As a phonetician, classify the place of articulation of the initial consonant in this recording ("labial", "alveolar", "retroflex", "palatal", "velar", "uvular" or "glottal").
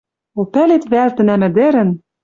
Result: labial